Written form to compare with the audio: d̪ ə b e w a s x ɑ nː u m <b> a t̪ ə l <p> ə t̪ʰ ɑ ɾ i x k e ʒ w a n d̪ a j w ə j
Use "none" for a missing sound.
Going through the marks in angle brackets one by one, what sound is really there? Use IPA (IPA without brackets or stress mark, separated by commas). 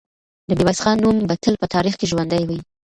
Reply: b, p